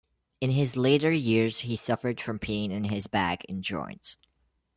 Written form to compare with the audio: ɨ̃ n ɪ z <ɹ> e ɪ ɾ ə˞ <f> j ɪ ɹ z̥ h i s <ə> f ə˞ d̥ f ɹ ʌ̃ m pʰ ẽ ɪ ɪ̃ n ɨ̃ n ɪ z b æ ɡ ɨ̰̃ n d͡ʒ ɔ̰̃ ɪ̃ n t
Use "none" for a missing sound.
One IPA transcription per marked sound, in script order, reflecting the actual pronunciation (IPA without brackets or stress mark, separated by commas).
l, none, ʌ